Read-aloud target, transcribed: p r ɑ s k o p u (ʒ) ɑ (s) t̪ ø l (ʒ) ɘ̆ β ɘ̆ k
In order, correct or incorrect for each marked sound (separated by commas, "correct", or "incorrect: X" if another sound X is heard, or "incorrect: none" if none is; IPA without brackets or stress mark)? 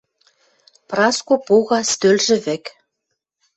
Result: incorrect: ɣ, correct, correct